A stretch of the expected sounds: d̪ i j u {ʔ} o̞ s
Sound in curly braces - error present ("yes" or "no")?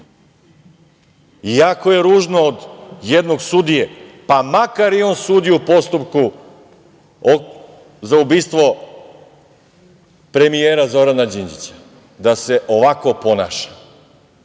yes